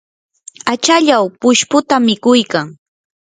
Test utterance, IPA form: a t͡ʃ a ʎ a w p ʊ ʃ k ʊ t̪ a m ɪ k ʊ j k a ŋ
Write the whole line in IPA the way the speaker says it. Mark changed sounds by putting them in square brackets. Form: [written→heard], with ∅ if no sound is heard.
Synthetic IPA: a t͡ʃ a ʎ a w p ʊ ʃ [k→p] ʊ t̪ a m ɪ k ʊ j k a ŋ